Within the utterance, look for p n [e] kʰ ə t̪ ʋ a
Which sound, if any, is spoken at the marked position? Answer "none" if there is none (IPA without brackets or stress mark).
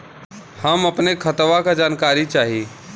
e